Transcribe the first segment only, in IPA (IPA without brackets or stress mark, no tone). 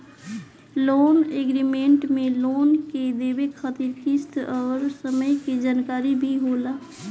l